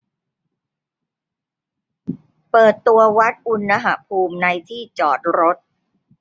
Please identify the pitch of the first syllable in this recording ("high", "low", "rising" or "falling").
low